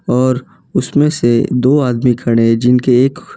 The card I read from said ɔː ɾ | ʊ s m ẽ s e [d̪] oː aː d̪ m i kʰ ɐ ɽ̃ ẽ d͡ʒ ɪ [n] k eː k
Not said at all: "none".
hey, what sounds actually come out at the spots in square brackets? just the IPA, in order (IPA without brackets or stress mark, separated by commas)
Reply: d̪, n